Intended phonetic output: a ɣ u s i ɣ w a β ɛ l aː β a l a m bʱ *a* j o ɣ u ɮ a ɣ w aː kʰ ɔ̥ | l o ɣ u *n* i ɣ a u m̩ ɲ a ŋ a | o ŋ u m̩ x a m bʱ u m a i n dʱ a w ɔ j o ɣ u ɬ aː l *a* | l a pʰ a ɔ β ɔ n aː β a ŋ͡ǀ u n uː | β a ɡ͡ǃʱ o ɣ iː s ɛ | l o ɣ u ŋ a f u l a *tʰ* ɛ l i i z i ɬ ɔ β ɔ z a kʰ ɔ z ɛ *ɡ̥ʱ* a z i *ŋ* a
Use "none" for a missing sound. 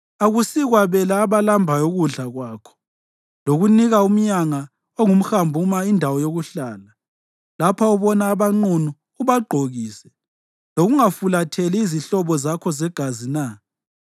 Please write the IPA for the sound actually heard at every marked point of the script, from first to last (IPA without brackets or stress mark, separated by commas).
a, n, a, tʰ, ɡ̥ʱ, n